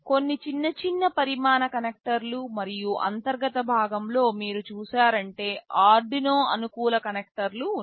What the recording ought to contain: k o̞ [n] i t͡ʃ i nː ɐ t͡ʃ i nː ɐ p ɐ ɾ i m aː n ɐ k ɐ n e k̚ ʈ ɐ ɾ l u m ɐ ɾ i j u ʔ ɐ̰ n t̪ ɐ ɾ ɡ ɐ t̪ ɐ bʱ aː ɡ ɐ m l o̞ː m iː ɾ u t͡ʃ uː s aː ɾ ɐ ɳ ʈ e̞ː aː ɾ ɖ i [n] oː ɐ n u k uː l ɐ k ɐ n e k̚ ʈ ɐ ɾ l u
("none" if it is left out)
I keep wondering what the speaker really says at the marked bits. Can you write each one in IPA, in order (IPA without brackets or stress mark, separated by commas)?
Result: nː, n